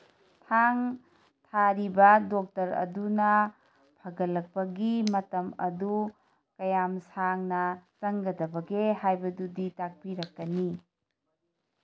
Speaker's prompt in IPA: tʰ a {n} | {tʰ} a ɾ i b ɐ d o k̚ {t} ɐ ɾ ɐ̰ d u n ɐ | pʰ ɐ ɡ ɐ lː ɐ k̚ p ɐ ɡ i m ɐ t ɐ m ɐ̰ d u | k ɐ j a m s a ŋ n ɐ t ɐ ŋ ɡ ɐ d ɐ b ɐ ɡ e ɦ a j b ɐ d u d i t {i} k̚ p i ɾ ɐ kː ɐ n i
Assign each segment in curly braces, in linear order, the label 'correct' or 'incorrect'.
incorrect, correct, correct, incorrect

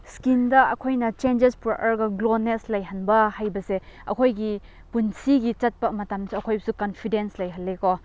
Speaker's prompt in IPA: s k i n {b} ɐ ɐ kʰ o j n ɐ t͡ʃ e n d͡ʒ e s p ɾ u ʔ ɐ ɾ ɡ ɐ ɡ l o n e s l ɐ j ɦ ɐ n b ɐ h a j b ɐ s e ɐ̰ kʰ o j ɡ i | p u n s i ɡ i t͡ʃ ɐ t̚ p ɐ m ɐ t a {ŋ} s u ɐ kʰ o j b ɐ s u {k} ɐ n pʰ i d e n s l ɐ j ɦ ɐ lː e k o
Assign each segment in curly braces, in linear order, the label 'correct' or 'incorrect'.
incorrect, incorrect, correct

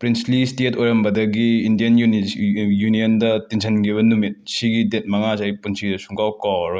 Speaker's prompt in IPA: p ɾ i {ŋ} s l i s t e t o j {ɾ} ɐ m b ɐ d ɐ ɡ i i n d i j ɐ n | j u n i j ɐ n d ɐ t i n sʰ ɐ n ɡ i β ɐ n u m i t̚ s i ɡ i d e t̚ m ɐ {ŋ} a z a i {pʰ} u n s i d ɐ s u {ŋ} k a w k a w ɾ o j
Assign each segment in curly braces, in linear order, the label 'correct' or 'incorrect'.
incorrect, correct, correct, incorrect, correct

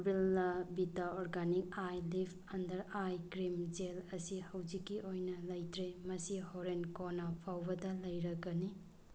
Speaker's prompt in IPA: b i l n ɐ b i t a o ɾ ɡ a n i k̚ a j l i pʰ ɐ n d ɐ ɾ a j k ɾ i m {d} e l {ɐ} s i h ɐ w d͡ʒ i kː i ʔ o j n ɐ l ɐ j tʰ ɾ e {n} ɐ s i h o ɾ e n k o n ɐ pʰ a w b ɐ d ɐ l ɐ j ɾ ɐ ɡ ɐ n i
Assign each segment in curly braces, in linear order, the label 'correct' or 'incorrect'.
incorrect, correct, incorrect

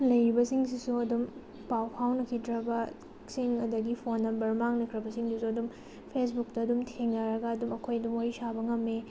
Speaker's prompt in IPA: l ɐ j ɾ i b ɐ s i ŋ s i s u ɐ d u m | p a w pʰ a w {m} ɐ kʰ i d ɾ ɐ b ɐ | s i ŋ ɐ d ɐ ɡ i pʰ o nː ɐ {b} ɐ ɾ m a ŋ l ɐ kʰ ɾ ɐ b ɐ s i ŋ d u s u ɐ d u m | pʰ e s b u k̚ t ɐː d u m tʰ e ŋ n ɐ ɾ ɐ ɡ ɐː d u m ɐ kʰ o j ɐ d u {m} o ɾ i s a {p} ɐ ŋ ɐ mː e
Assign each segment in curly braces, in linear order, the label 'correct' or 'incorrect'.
incorrect, correct, correct, incorrect

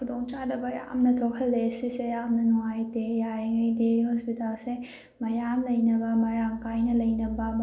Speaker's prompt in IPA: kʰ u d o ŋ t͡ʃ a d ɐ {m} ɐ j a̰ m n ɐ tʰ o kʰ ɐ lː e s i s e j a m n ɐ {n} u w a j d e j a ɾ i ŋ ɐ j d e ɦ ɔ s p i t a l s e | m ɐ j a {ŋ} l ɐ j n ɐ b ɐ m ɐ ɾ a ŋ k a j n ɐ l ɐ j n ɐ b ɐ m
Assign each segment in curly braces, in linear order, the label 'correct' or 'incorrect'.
incorrect, correct, incorrect

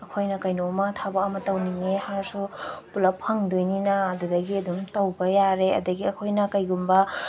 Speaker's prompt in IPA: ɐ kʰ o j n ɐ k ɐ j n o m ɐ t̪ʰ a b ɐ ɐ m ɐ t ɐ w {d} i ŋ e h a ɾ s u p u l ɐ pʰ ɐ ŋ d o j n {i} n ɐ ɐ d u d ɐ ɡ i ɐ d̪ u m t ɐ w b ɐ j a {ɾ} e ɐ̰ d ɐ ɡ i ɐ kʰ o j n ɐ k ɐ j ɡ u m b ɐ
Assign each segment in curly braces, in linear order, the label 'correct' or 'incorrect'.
incorrect, correct, correct

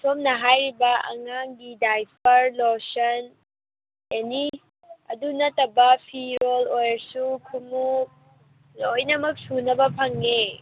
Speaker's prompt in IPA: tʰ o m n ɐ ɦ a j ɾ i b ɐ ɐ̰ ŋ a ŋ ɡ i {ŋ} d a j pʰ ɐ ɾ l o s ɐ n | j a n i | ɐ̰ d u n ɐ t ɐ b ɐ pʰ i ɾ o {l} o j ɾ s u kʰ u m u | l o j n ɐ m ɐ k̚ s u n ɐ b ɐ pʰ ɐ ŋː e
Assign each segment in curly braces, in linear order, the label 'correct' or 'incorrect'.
incorrect, correct

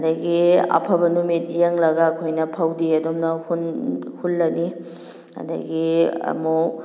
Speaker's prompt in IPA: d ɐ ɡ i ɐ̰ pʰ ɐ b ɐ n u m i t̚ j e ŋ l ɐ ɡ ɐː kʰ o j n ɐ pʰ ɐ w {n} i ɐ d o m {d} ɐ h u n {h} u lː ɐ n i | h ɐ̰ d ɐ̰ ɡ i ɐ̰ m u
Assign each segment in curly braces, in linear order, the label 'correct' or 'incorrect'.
incorrect, incorrect, correct

